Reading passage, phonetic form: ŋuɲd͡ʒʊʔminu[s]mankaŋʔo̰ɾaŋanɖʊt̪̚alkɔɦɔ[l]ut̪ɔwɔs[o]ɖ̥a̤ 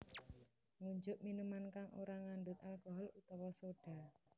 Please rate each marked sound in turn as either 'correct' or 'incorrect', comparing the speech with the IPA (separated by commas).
incorrect, correct, correct